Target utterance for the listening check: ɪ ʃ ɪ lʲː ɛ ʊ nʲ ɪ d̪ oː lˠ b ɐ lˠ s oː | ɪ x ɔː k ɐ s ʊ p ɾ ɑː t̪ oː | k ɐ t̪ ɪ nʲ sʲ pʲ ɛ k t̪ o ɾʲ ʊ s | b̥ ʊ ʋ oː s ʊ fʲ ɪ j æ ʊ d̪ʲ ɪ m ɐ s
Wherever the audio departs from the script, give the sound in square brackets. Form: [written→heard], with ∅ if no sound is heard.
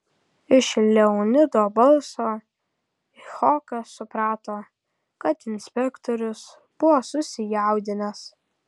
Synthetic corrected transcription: ɪ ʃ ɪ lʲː ɛ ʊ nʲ ɪ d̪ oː [lˠ→∅] b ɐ lˠ s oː | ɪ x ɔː k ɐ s ʊ p ɾ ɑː t̪ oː | k ɐ t̪ ɪ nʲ sʲ pʲ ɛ k t̪ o ɾʲ ʊ s | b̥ ʊ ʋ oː s ʊ [fʲ→sʲ] ɪ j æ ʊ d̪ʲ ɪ [m→n] ɐ s

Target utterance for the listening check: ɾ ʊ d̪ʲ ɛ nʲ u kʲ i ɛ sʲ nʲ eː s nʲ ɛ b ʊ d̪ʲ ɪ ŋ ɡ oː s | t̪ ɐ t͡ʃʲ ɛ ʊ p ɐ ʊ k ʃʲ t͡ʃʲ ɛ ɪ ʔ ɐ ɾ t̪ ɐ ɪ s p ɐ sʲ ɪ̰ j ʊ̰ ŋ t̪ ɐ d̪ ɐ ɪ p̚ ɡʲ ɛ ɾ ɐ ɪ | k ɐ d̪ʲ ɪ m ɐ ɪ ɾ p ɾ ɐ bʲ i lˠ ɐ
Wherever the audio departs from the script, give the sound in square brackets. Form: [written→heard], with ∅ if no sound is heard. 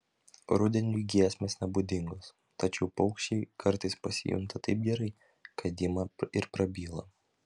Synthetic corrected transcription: ɾ ʊ d̪ʲ ɛ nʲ u [kʲ→ɡʲ] i ɛ sʲ [nʲ→mʲ] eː s nʲ ɛ b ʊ d̪ʲ ɪ ŋ ɡ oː s | t̪ ɐ t͡ʃʲ ɛ ʊ p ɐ ʊ k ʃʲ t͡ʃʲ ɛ ɪ [ʔ→k] ɐ ɾ t̪ ɐ ɪ s p ɐ sʲ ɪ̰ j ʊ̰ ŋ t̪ ɐ [d̪→t̪] ɐ ɪ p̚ ɡʲ ɛ ɾ ɐ ɪ | k ɐ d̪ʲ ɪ m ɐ ɪ ɾ p ɾ ɐ bʲ [i→iː] lˠ ɐ

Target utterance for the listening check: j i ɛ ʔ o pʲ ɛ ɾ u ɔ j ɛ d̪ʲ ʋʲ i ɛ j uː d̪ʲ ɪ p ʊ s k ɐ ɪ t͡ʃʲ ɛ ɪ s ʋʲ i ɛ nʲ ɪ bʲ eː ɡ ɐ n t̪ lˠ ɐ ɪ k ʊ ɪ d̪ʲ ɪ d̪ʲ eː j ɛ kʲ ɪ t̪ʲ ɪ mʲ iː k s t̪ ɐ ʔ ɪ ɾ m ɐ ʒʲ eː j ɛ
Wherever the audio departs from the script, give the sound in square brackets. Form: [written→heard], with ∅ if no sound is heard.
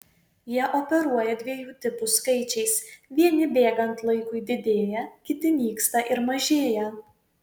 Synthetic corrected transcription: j i ɛ ʔ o pʲ ɛ ɾ u ɔ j ɛ d̪ʲ ʋʲ i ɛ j uː [d̪ʲ→t̪ʲ] ɪ p ʊ s k ɐ ɪ t͡ʃʲ ɛ ɪ s ʋʲ i ɛ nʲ ɪ bʲ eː ɡ ɐ n t̪ lˠ ɐ ɪ k ʊ ɪ d̪ʲ ɪ d̪ʲ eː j ɛ kʲ ɪ t̪ʲ ɪ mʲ iː k s t̪ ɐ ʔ ɪ ɾ m ɐ ʒʲ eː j ɛ

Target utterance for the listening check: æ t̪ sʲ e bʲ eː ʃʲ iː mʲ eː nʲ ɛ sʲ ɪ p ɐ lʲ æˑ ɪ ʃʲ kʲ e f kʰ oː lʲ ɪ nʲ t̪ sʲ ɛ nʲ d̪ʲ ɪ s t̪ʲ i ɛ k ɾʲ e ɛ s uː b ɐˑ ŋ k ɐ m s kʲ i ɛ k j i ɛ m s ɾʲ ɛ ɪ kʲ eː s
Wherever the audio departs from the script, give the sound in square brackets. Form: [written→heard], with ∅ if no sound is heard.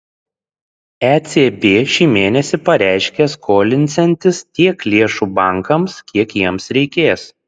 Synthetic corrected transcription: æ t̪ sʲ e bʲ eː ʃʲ iː mʲ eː nʲ ɛ sʲ ɪ p ɐ [lʲ→ɾʲ] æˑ ɪ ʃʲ kʲ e [f→s] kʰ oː lʲ ɪ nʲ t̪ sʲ ɛ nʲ [d̪ʲ→t̪ʲ] ɪ s t̪ʲ i ɛ k [ɾʲ→lʲ] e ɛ [s→ʃ] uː b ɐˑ ŋ k ɐ m s kʲ i ɛ k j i ɛ m s ɾʲ ɛ ɪ kʲ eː s

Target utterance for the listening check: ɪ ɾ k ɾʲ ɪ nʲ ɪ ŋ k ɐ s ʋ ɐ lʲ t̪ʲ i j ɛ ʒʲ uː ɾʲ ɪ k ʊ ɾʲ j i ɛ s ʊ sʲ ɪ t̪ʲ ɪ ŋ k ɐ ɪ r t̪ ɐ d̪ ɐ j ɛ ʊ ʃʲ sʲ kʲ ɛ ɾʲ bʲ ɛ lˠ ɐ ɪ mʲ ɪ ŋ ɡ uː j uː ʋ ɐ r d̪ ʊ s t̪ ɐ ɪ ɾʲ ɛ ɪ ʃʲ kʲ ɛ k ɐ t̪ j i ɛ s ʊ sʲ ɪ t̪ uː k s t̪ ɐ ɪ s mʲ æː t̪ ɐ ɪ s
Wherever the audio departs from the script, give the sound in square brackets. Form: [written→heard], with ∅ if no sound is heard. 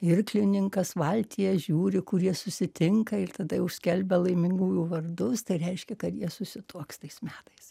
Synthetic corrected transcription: ɪ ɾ k [ɾʲ→lʲ] ɪ nʲ ɪ ŋ k ɐ s ʋ ɐ lʲ t̪ʲ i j ɛ ʒʲ uː ɾʲ ɪ k ʊ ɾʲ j i ɛ s ʊ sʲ ɪ t̪ʲ ɪ ŋ k ɐ ɪ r t̪ ɐ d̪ ɐ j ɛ ʊ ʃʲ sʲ kʲ ɛ [ɾʲ→lʲ] bʲ ɛ lˠ ɐ ɪ mʲ ɪ ŋ ɡ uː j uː ʋ ɐ r d̪ ʊ s t̪ ɐ ɪ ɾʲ ɛ ɪ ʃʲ kʲ ɛ k ɐ t̪ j i ɛ s ʊ sʲ ɪ t̪ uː k s t̪ ɐ ɪ s mʲ æː t̪ ɐ ɪ s

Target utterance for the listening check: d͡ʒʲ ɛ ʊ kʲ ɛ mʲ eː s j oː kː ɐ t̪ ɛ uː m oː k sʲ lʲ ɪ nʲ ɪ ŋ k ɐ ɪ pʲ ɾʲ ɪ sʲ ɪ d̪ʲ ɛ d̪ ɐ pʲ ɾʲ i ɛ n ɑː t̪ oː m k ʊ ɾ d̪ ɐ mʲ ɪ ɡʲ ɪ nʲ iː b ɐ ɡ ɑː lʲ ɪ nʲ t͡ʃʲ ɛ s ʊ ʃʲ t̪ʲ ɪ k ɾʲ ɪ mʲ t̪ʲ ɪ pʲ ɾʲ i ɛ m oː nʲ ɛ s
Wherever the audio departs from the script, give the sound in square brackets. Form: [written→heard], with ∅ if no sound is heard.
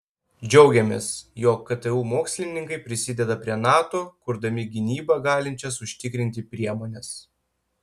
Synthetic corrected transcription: d͡ʒʲ ɛ ʊ [kʲ→ɡʲ] ɛ mʲ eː s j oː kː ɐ t̪ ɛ uː m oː k sʲ lʲ ɪ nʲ ɪ ŋ k ɐ ɪ pʲ ɾʲ ɪ sʲ ɪ d̪ʲ ɛ d̪ ɐ pʲ ɾʲ i ɛ n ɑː t̪ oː [m→∅] k ʊ ɾ d̪ ɐ mʲ ɪ ɡʲ ɪ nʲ iː b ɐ ɡ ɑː lʲ ɪ nʲ t͡ʃʲ ɛ s ʊ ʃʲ t̪ʲ ɪ k ɾʲ ɪ [mʲ→nʲ] t̪ʲ ɪ pʲ ɾʲ i ɛ m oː nʲ ɛ s

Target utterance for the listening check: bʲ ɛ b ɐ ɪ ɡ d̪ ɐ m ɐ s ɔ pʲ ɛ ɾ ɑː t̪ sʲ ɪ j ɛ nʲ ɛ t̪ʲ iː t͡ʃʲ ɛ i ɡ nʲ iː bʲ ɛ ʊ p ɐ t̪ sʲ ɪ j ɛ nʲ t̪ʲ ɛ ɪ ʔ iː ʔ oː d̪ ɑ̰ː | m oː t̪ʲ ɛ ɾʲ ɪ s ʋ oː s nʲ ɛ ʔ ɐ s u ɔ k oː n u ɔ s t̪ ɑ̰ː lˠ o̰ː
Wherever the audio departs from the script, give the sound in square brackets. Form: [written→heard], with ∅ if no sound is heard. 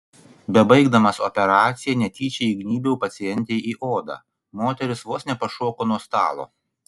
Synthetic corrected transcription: bʲ ɛ b ɐ ɪ ɡ d̪ ɐ m ɐ s ɔ pʲ ɛ ɾ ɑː t̪ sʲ ɪ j ɛ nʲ ɛ t̪ʲ iː t͡ʃʲ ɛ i ɡ nʲ iː bʲ ɛ ʊ p ɐ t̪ sʲ ɪ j ɛ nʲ t̪ʲ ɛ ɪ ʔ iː ʔ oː d̪ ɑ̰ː | m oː t̪ʲ ɛ ɾʲ ɪ s ʋ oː s nʲ ɛ [ʔ→p] ɐ [s→ʃ] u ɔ k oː n u ɔ s t̪ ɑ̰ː lˠ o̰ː

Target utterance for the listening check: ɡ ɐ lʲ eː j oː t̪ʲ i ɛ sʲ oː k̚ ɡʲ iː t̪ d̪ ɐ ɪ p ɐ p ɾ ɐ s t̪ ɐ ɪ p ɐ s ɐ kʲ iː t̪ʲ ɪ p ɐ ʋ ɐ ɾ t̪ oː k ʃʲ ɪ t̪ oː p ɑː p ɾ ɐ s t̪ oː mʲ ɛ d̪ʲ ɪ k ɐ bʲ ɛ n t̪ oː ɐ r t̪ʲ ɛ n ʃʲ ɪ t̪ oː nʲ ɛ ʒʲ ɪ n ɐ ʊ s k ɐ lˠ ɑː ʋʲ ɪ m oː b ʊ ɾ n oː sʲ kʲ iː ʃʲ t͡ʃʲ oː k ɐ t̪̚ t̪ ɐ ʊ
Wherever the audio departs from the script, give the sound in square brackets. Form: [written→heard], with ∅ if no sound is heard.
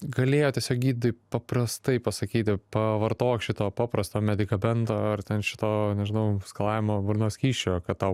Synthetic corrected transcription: ɡ ɐ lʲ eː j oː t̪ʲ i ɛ sʲ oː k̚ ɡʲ iː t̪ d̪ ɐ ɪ p ɐ p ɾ ɐ s t̪ ɐ ɪ p ɐ s ɐ kʲ iː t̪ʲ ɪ p ɐ ʋ ɐ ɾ t̪ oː k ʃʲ ɪ t̪ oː p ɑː p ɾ ɐ s t̪ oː mʲ ɛ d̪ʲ ɪ k ɐ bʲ ɛ n t̪ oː ɐ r t̪ʲ ɛ n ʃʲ ɪ t̪ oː nʲ ɛ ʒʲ ɪ n ɐ ʊ s k ɐ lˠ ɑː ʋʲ ɪ m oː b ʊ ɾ n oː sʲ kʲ iː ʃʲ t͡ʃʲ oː k ɐ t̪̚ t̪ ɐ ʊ

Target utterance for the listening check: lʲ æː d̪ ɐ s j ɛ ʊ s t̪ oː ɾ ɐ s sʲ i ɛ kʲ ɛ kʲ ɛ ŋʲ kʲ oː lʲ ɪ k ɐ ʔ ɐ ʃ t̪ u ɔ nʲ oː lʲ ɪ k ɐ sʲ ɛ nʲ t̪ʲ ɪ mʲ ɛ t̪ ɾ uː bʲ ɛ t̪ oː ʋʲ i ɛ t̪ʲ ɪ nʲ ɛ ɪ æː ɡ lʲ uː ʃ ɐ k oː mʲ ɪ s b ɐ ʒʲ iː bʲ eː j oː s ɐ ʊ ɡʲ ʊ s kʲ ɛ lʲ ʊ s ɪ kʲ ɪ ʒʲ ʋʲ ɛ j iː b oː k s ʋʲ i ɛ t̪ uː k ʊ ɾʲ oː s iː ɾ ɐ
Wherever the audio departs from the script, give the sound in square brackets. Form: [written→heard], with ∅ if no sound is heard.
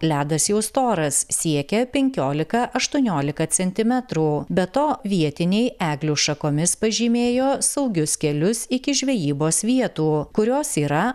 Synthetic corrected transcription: lʲ æː d̪ ɐ s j ɛ ʊ s t̪ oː ɾ ɐ s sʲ i ɛ kʲ ɛ [kʲ→pʲ] ɛ ŋʲ kʲ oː lʲ ɪ k ɐ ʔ ɐ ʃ t̪ u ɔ nʲ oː lʲ ɪ k ɐ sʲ ɛ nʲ t̪ʲ ɪ mʲ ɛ t̪ ɾ uː bʲ ɛ t̪ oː ʋʲ i ɛ t̪ʲ ɪ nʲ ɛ ɪ æː ɡ lʲ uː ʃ ɐ k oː mʲ ɪ s [b→p] ɐ ʒʲ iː [bʲ→mʲ] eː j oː s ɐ ʊ ɡʲ ʊ s kʲ ɛ lʲ ʊ s ɪ kʲ ɪ ʒʲ ʋʲ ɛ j iː b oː [k→∅] s ʋʲ i ɛ t̪ uː k ʊ ɾʲ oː s iː ɾ ɐ

